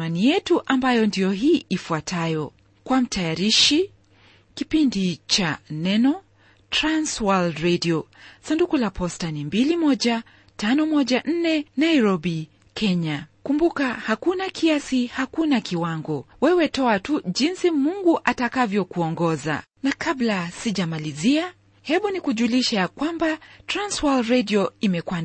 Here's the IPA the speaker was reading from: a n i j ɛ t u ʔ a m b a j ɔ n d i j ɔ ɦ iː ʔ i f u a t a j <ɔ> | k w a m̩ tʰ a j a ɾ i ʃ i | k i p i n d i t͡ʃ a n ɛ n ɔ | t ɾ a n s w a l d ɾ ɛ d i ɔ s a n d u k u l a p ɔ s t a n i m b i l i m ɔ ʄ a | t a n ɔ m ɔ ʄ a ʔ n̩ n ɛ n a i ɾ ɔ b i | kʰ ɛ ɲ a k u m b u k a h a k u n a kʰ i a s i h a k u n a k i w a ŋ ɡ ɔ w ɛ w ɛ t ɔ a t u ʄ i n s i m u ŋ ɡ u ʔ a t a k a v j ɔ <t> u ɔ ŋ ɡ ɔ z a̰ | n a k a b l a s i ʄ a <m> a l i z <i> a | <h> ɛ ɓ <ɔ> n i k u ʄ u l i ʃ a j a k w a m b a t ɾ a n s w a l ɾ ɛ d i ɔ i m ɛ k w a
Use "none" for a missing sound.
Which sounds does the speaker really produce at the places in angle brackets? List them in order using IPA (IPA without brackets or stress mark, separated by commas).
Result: ɔ, k, m, i, h, u